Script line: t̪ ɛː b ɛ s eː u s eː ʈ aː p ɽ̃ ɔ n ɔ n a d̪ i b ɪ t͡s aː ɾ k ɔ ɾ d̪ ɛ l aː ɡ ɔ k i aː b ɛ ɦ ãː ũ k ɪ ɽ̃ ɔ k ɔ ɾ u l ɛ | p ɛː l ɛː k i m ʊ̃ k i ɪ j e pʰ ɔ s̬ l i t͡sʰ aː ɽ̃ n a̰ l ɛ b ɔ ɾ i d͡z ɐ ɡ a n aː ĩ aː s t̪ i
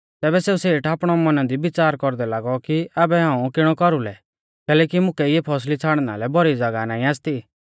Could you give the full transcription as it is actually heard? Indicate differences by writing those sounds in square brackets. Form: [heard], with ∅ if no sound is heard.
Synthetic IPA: t̪ ɛː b ɛ s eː u s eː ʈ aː p ɽ̃ ɔ [m] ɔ n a d̪ i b ɪ t͡s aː ɾ k ɔ ɾ d̪ ɛ l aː ɡ ɔ k i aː b ɛ ɦ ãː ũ k ɪ ɽ̃ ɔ k ɔ ɾ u l ɛ | [k] ɛː l ɛː k i m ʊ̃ k [ɛ] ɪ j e pʰ ɔ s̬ l i t͡sʰ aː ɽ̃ n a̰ l ɛ b ɔ ɾ i d͡z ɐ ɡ a n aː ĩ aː s t̪ i